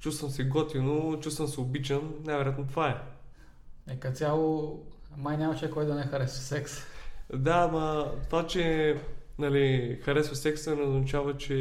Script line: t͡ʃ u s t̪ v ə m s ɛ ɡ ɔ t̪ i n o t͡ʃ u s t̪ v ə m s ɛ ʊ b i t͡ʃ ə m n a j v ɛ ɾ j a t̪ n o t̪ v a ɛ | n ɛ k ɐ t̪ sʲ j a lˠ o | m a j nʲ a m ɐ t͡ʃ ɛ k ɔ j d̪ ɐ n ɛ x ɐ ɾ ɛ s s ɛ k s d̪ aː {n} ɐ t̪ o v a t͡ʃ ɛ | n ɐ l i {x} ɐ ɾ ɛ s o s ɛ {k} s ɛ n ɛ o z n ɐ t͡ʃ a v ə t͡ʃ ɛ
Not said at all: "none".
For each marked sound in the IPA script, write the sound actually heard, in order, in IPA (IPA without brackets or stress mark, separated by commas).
m, x, k